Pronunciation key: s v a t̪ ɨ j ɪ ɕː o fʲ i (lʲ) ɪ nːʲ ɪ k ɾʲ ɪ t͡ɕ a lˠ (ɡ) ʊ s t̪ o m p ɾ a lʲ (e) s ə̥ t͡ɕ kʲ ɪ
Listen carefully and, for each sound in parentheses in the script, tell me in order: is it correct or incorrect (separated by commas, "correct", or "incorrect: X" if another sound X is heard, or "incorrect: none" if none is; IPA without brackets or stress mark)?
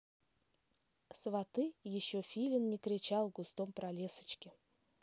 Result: correct, correct, correct